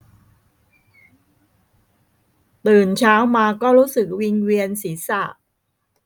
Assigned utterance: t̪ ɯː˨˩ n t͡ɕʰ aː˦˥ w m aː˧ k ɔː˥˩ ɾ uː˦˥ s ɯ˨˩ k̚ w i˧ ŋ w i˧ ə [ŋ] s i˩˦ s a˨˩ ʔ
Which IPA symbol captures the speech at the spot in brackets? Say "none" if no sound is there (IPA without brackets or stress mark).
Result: n